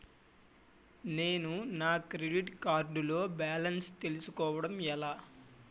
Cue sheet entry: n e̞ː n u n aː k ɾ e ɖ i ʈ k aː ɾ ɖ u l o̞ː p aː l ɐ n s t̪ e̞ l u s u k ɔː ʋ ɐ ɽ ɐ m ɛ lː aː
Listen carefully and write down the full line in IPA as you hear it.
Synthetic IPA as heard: n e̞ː n u n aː k ɾ e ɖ i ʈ k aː ɾ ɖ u l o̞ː b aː l ɐ n s t̪ e̞ l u s u k ɔː ʋ ɐ ɽ ɐ m ɛ l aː